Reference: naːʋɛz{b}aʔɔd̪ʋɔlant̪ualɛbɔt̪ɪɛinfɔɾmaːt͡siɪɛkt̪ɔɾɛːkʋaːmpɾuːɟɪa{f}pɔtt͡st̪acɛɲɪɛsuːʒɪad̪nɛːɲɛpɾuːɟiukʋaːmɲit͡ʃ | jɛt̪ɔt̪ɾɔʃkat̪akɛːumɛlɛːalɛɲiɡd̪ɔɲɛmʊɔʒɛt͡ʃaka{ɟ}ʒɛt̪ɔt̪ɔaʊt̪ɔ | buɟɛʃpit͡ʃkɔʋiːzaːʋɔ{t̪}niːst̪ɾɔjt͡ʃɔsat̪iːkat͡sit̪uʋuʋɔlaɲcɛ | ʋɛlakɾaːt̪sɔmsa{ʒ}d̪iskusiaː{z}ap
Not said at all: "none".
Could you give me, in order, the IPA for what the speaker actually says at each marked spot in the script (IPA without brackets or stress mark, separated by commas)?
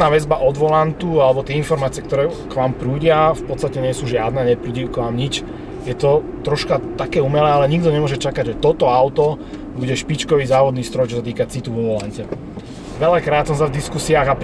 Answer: b, f, ɟ, d̪, v, ɣ